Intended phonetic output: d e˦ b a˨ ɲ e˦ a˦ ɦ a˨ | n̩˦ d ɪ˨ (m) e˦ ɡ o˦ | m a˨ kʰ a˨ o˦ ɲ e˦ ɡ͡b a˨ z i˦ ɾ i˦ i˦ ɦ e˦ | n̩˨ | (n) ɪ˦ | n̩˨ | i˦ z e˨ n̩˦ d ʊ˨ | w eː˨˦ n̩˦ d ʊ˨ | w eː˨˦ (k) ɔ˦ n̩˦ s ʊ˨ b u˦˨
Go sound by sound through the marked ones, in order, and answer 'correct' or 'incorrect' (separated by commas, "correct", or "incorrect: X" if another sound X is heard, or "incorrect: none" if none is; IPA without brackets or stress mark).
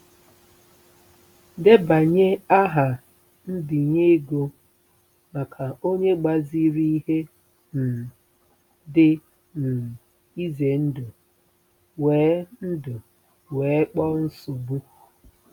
incorrect: ɲ, incorrect: d, incorrect: k͡p